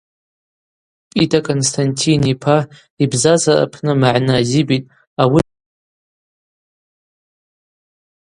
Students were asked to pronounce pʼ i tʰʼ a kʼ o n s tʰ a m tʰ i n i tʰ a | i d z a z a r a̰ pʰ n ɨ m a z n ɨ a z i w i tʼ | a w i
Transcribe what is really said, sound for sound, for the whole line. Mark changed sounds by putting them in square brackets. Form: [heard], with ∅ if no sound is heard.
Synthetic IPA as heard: pʼ i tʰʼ a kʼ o n s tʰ a [n] tʰ i n i [pʰ] a | i [b] z a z a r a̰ pʰ n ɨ m a [ʕ] n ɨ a z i [b] i tʼ | a w i